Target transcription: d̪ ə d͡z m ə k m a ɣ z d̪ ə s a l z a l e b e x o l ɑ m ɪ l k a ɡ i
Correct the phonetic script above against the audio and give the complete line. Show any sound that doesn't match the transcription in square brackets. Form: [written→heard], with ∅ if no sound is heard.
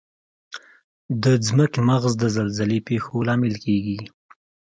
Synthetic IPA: d̪ ə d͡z m ə k m a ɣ z d̪ ə [s→z] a l z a l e [b→p] e x o l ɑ m ɪ l k [a→e] ɡ i